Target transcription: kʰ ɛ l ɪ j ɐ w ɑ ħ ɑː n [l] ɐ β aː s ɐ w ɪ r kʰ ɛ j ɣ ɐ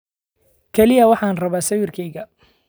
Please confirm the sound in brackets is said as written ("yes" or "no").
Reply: no